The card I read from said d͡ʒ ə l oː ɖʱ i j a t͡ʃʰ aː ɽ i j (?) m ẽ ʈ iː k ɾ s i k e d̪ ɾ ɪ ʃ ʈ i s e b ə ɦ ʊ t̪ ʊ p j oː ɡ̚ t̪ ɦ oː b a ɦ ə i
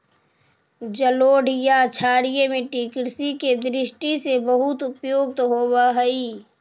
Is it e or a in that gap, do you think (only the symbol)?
e